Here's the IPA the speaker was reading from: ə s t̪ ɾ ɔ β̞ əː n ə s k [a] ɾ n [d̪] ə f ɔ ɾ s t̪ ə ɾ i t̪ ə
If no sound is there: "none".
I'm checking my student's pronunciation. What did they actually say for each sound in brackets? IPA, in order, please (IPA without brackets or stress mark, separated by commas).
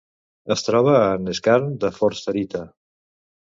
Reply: a, d̪